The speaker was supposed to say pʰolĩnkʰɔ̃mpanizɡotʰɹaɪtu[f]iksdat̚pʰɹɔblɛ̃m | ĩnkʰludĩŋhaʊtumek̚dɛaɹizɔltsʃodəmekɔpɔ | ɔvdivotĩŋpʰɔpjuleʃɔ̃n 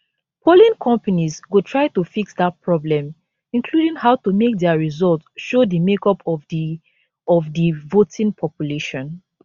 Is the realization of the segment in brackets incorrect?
no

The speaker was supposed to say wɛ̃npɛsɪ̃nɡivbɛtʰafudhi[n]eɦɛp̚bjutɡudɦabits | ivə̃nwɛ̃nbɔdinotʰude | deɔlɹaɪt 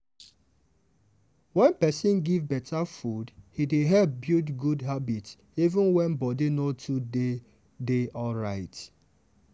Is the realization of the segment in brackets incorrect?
yes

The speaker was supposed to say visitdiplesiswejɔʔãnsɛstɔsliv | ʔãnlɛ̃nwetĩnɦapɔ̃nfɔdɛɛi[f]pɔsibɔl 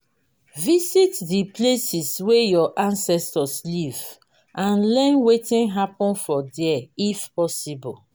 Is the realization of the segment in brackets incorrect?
no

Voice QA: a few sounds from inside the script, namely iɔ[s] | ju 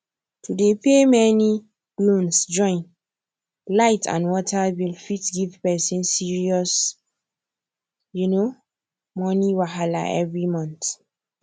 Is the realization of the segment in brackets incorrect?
no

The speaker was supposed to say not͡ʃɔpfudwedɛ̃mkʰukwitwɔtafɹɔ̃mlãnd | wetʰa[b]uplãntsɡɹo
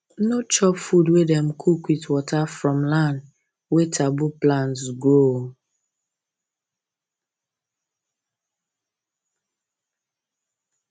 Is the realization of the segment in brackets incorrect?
no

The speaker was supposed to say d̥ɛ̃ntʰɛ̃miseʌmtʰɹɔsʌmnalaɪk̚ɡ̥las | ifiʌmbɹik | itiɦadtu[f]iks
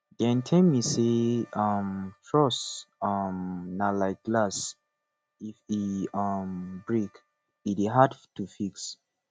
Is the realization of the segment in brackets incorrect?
no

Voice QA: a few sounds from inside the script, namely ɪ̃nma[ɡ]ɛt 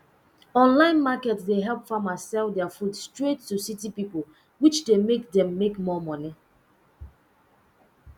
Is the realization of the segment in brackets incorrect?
yes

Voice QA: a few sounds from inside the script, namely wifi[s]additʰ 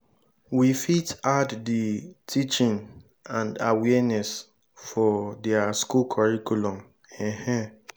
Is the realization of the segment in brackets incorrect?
yes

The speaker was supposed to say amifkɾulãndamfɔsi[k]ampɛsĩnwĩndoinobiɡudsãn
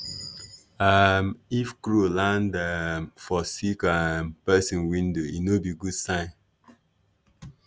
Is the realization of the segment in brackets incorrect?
no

